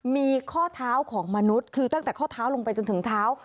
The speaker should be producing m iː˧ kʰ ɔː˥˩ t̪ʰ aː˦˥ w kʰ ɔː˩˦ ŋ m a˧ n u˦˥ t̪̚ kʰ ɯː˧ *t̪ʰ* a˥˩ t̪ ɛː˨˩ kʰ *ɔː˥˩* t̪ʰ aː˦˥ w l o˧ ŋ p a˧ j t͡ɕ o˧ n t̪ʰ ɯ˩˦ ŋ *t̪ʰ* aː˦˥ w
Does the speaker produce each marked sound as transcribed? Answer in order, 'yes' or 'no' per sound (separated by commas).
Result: no, yes, yes